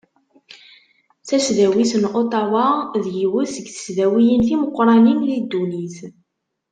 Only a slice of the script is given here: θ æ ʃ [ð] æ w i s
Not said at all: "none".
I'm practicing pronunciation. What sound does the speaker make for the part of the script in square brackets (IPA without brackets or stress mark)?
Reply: ð